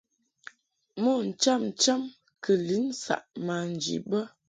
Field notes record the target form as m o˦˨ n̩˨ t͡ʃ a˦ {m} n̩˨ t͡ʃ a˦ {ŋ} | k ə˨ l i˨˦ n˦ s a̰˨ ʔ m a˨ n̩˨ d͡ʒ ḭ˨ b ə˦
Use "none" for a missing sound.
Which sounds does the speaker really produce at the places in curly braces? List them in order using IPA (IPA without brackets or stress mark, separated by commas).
m, m